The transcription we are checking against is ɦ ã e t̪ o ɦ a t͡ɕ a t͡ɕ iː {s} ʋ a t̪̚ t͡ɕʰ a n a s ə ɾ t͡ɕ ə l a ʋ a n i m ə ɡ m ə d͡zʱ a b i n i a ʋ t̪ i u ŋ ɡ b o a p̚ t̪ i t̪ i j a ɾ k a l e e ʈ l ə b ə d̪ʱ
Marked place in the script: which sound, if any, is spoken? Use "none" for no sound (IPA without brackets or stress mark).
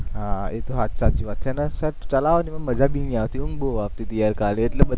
none